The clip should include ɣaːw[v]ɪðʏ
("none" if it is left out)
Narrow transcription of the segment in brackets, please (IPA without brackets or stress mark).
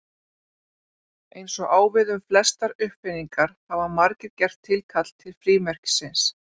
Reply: v